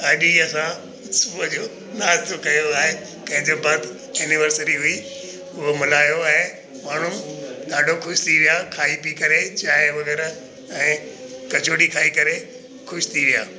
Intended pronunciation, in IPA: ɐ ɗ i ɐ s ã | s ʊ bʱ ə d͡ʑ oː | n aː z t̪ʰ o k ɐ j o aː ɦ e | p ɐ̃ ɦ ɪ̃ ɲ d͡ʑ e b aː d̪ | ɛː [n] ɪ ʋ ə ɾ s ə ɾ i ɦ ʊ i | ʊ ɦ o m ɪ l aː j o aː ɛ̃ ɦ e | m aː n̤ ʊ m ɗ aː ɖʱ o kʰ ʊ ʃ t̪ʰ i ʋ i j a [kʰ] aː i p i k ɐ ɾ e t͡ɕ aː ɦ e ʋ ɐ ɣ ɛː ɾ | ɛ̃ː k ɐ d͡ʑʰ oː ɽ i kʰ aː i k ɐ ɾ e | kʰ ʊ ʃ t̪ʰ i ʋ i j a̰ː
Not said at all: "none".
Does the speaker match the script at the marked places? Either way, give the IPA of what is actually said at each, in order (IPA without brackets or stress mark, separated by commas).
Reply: n, kʰ